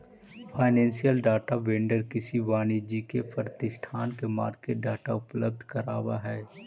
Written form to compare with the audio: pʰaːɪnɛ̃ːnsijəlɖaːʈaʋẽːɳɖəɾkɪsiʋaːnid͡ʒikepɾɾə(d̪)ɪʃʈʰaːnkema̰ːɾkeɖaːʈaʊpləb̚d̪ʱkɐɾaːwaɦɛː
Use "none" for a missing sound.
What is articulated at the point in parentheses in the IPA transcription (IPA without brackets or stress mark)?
t̪